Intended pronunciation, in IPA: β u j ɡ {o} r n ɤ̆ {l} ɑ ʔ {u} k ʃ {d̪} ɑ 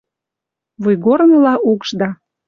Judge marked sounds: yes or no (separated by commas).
yes, yes, yes, yes